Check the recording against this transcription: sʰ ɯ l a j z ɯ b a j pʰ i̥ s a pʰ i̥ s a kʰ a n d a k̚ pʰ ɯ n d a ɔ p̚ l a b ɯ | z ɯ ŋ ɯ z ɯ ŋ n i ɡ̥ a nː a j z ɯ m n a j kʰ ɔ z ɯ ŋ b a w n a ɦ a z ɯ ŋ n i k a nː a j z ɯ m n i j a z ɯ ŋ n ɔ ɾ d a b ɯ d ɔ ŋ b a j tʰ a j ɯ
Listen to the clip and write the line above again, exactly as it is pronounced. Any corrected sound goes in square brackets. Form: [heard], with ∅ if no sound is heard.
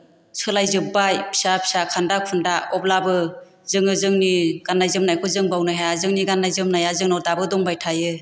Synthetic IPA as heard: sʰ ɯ l a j z ɯ b a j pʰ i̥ s a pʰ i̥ s a kʰ a n d a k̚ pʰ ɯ n d a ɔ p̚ l a b ɯ | z ɯ ŋ ɯ z ɯ ŋ n i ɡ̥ a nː a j z ɯ m n a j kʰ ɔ z ɯ ŋ b a w n a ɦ a z ɯ ŋ n i [ɡ] a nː a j z ɯ m n [a] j a z ɯ ŋ n ɔ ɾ d a b ɯ d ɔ ŋ b a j tʰ a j ɯ

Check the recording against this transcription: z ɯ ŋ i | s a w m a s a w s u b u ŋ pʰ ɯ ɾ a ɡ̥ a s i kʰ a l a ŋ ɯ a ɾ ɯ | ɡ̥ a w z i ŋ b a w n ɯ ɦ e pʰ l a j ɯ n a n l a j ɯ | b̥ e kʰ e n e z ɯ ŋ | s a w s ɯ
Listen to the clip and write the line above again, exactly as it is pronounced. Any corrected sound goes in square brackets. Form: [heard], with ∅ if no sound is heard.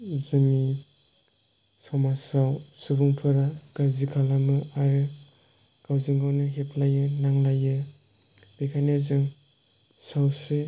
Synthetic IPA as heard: z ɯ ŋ i | s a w m a s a w s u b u ŋ pʰ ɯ ɾ a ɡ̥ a [z] i kʰ a l a [m] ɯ a ɾ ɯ | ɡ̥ a w z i ŋ [ɡ] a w n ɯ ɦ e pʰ l a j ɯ n a [ŋ] l a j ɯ | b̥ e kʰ [a] n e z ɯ ŋ | s a w s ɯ

